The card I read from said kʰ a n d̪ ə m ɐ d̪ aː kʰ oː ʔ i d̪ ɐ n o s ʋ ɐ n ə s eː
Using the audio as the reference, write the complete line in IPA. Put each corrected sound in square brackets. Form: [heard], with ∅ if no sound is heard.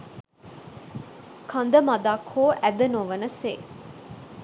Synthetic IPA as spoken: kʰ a n d̪ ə m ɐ d̪ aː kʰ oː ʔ [æ] d̪ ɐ n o [∅] ʋ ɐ n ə s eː